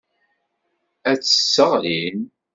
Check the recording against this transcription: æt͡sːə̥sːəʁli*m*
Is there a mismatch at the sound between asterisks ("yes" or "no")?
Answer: yes